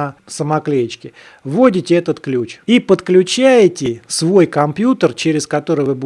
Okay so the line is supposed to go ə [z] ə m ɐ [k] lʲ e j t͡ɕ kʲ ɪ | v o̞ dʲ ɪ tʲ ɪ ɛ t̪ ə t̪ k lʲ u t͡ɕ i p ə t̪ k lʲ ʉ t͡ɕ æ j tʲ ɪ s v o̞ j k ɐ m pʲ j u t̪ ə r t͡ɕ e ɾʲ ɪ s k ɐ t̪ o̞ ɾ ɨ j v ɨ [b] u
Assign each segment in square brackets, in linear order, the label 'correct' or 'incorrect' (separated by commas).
incorrect, correct, correct